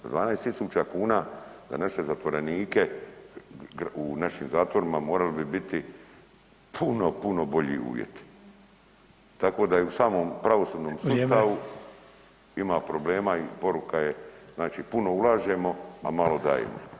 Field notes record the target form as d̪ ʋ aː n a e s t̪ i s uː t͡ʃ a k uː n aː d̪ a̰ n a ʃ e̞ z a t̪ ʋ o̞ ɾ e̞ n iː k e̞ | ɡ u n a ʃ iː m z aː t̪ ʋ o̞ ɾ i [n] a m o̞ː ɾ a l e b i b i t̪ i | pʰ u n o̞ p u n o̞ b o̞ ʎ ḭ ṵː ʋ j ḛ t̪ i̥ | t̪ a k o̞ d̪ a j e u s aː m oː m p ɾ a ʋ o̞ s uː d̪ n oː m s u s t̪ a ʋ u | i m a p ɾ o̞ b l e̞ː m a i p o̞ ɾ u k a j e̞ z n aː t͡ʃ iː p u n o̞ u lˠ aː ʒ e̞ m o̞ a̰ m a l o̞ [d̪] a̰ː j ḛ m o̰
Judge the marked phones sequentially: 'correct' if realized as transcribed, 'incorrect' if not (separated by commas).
incorrect, correct